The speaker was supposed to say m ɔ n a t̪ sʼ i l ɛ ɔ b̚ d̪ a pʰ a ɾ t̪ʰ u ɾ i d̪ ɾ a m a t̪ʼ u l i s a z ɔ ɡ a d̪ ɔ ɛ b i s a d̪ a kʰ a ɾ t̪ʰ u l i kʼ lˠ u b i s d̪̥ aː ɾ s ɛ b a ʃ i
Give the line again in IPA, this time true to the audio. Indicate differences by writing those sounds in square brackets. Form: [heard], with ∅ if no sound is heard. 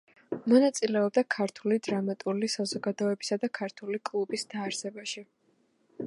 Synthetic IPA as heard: m ɔ n a t̪ sʼ i l ɛ ɔ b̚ d̪ a [kʰ] a ɾ t̪ʰ u [l] i d̪ ɾ a m a t̪ʼ u l i s a z ɔ ɡ a d̪ ɔ ɛ b i s a d̪ a kʰ a ɾ t̪ʰ u l i kʼ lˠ u b i s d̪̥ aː ɾ s ɛ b a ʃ i